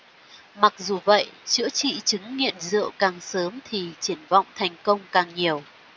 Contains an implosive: no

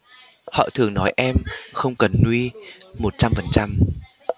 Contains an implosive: no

